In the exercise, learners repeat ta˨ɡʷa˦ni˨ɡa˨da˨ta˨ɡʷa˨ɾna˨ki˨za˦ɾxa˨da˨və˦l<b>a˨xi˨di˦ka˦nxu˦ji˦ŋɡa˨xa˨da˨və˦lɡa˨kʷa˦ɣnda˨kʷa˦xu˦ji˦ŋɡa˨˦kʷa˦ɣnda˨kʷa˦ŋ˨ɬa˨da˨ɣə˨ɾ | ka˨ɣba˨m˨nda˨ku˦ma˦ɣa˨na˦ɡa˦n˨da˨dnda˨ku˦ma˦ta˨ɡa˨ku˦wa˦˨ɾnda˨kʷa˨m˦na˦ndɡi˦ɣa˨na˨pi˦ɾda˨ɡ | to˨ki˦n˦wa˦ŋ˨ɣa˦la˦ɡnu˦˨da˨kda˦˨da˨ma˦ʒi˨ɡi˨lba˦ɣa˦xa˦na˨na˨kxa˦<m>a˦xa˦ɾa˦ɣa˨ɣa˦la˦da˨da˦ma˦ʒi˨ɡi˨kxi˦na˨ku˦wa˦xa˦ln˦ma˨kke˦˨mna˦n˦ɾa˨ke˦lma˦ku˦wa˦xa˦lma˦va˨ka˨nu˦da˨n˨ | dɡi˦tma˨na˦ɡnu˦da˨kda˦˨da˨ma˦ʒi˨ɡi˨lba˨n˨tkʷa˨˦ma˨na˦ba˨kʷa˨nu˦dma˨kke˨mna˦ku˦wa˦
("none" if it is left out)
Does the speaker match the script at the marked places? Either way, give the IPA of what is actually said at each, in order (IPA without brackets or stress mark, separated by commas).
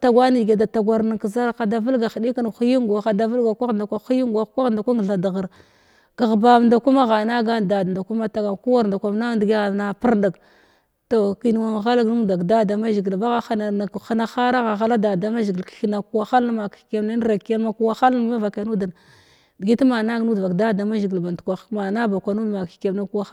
ɡ, n